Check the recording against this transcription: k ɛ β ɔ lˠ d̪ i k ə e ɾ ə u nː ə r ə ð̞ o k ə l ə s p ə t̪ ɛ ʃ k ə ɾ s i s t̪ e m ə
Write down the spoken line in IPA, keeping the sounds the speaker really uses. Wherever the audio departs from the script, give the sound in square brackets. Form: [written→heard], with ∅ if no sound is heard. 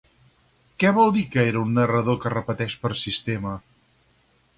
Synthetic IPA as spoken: k ɛ β ɔ lˠ d̪ i k ə e ɾ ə u nː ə r ə ð̞ o k ə [l→r] ə [s→∅] p ə t̪ ɛ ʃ [k→p] ə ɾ s i s t̪ e m ə